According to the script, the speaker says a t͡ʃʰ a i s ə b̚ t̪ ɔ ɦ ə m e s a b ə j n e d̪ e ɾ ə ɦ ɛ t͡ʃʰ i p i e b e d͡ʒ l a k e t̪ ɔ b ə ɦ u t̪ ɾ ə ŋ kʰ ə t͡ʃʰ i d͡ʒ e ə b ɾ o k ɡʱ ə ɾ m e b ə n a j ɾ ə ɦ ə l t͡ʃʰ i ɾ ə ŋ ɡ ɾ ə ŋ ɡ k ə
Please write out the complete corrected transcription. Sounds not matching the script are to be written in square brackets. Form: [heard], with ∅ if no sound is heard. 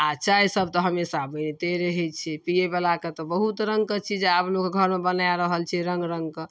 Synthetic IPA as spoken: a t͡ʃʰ a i s ə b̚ t̪ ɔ ɦ ə m e s a b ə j n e [t̪] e ɾ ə ɦ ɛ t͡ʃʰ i p i e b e [∅] l a k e t̪ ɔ b ə ɦ u t̪ ɾ ə ŋ [k] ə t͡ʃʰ i d͡ʒ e [a] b [l] o k ɡʱ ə ɾ m e b ə n a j ɾ ə ɦ ə l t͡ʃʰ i ɾ ə ŋ ɡ ɾ ə ŋ ɡ k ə

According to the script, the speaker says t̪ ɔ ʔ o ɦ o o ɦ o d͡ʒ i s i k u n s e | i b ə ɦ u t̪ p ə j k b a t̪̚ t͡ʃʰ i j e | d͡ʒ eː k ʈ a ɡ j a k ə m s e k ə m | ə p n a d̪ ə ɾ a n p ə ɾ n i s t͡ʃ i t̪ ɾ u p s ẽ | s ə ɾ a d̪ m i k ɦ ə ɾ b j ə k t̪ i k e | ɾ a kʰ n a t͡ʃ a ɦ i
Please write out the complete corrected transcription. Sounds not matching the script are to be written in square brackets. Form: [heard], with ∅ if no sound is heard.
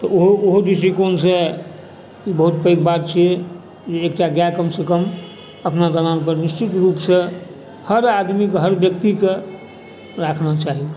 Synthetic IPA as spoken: t̪ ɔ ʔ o ɦ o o ɦ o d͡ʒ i s i k [o] n s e | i b ə ɦ u t̪ p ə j k b a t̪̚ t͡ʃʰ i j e | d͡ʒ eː k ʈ a ɡ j a k ə m s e k ə m | ə p n a d̪ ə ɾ a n p ə ɾ n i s t͡ʃ i t̪ ɾ u p s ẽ | [h] ə ɾ a d̪ m i k ɦ ə ɾ b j ə k t̪ i k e | ɾ a kʰ n a t͡ʃ a ɦ i

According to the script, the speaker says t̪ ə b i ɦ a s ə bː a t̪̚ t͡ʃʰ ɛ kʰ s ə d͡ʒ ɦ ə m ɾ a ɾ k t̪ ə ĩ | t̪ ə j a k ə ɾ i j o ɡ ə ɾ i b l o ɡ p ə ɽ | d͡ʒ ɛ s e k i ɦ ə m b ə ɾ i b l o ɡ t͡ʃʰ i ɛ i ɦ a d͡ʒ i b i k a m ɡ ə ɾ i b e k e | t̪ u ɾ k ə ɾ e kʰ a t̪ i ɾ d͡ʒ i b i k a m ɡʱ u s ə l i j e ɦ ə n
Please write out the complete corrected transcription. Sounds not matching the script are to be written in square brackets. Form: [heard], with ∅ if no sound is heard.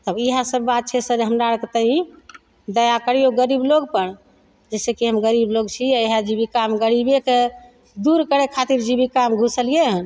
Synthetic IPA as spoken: t̪ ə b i ɦ a s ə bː a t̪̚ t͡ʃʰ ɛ [∅] s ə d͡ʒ ɦ ə m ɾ a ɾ k t̪ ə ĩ | [d̪] ə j a k ə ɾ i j o ɡ ə ɾ i b l o ɡ p ə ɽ | d͡ʒ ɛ s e k i ɦ ə m [ɡ] ə ɾ i b l o ɡ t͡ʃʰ i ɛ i ɦ a d͡ʒ i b i k a m ɡ ə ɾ i b e k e | [d̪] u ɾ k ə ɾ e kʰ a t̪ i ɾ d͡ʒ i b i k a m ɡʱ u s ə l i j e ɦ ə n

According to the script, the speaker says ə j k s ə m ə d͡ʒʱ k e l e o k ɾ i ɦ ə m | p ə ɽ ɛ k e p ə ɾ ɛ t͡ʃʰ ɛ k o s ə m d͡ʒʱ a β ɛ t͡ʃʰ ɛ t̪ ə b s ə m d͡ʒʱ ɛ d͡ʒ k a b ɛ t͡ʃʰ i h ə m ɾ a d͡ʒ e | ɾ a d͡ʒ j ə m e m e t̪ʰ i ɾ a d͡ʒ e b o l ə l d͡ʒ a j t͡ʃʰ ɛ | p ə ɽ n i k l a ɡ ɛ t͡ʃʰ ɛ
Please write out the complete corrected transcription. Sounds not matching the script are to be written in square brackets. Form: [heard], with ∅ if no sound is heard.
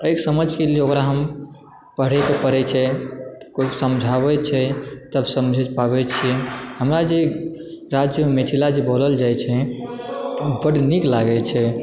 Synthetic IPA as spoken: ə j k s ə m ə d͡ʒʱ k e l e o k ɾ [a] ɦ ə m | p ə ɽ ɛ k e p ə ɾ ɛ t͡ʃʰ ɛ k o s ə m d͡ʒʱ a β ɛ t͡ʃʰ ɛ t̪ ə b s ə m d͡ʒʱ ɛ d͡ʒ [p] a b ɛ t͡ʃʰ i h ə m ɾ a d͡ʒ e | ɾ a d͡ʒ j ə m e m e t̪ʰ i [l] a d͡ʒ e b o l ə l d͡ʒ a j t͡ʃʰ ɛ | [b] ə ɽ n i k l a ɡ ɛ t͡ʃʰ ɛ

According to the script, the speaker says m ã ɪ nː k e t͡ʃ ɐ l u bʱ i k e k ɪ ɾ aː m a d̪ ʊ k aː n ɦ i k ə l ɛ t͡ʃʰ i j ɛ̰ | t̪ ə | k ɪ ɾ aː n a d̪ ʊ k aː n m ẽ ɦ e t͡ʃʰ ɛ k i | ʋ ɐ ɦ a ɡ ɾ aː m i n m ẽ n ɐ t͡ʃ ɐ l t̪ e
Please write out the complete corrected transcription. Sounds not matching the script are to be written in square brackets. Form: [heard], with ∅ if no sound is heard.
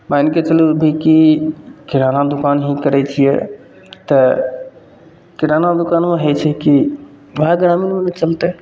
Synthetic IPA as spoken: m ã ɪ [n] k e t͡ʃ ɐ l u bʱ i k [i] k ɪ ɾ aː [n] a d̪ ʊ k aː n ɦ i k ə [ɾ] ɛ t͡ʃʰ i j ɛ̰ | t̪ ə | k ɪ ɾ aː n a d̪ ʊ k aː n m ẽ ɦ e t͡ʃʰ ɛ k i | ʋ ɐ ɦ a ɡ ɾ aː m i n m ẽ n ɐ t͡ʃ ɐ l t̪ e

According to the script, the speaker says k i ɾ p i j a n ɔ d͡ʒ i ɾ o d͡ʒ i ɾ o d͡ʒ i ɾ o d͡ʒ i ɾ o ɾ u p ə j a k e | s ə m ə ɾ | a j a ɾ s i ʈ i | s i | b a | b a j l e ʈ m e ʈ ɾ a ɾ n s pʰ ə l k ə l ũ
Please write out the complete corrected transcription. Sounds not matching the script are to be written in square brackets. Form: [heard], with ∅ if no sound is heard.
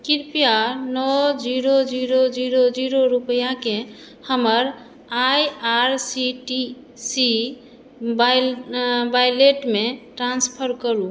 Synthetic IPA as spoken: k i ɾ p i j a n ɔ d͡ʒ i ɾ o d͡ʒ i ɾ o d͡ʒ i ɾ o d͡ʒ i ɾ o ɾ u p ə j a k e | [h] ə m ə ɾ | a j a ɾ s i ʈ i | s i | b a | b a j l e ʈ m e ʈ ɾ a [∅] n s pʰ ə [ɾ] k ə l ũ

